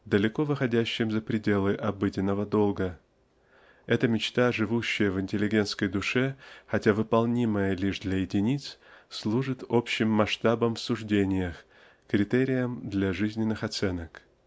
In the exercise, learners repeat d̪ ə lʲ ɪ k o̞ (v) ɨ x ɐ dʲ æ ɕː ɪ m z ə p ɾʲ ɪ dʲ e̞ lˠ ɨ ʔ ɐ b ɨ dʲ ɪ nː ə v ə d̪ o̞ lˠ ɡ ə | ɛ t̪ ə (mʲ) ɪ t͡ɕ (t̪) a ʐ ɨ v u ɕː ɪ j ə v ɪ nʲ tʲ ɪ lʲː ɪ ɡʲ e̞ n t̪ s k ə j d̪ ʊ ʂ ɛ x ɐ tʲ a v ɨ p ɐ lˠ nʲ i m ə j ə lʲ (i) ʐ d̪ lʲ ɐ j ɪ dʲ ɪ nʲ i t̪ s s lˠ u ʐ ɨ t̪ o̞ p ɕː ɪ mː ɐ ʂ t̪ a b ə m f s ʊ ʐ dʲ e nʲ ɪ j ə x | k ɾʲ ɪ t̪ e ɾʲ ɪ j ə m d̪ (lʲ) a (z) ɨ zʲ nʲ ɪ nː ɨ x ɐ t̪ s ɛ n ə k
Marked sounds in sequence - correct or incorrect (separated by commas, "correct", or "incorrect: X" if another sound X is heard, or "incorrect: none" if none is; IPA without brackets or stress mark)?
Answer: correct, correct, correct, correct, correct, incorrect: ʐ